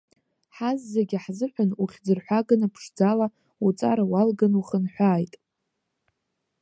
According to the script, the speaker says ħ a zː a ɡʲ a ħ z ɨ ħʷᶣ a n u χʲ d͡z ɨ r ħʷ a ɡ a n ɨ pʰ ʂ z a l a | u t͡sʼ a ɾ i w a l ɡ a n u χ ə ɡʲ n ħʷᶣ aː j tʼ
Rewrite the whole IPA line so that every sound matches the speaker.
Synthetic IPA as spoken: ħ a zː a ɡʲ a ħ z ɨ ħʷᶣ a n u χʲ d͡z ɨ r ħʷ a ɡ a n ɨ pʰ ʂ d͡z a l a | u t͡sʼ a ɾ a w a l ɡ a n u χ ə n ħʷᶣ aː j tʼ